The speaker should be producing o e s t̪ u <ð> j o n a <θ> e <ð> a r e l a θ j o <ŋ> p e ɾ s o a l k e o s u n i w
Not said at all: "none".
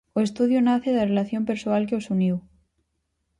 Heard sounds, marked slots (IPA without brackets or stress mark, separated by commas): ð, θ, ð, m